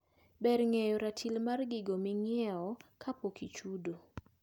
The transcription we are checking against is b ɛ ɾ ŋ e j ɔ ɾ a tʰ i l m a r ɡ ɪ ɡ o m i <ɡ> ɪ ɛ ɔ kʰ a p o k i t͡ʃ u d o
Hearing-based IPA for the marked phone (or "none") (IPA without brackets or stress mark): ŋ